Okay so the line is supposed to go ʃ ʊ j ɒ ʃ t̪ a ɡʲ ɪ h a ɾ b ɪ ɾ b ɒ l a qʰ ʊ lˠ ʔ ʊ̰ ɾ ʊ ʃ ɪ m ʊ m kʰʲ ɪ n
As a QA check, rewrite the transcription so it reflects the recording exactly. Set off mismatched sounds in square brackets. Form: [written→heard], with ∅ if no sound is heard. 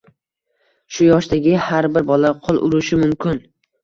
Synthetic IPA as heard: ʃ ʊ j ɒ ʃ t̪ a ɡʲ ɪ h a ɾ b ɪ ɾ b ɒ l a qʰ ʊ lˠ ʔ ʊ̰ ɾ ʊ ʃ ɪ m ʊ m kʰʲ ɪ n